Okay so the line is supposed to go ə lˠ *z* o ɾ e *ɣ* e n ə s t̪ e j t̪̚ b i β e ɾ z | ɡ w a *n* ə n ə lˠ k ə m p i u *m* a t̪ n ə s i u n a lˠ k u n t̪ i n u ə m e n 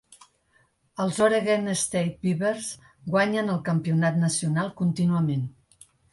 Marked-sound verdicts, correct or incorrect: correct, correct, incorrect: ɲ, incorrect: n

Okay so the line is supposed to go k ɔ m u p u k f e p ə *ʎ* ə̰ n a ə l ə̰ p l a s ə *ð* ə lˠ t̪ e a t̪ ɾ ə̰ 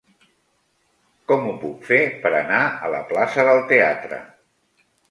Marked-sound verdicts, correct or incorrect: incorrect: ɾ, correct

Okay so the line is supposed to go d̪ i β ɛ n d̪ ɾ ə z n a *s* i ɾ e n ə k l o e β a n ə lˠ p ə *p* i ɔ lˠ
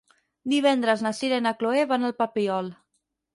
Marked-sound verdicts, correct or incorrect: correct, correct

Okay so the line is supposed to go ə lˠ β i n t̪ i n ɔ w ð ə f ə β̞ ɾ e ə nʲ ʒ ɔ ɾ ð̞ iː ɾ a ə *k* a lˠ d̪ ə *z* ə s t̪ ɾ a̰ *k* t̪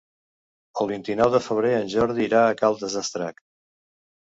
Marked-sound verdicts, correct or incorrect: correct, correct, correct

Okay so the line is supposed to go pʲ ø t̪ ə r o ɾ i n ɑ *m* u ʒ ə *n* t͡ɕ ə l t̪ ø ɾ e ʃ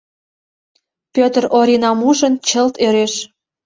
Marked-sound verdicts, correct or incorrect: correct, correct

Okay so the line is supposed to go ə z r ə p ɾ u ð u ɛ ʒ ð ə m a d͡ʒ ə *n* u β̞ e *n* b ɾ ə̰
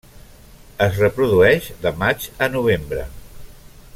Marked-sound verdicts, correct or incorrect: correct, incorrect: m

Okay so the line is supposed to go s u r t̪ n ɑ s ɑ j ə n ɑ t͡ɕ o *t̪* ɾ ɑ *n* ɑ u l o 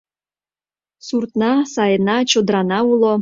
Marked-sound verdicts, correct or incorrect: incorrect: d̪, correct

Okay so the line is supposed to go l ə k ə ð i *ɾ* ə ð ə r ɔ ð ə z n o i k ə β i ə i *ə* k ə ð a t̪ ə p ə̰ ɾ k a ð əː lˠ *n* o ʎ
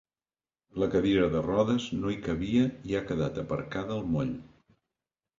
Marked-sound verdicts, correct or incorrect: correct, incorrect: a, incorrect: m

